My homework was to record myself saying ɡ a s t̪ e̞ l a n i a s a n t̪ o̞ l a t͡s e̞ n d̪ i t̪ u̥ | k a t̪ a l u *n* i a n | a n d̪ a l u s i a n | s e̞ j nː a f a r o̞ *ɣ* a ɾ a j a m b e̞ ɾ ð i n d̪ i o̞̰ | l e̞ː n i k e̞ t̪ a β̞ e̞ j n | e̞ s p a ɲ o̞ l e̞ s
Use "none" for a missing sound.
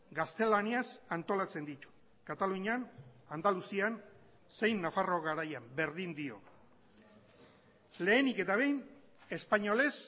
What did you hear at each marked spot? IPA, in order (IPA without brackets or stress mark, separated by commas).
ɲ, ɣ